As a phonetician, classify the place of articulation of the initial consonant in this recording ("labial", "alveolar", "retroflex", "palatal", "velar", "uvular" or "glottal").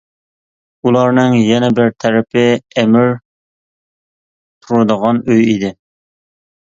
alveolar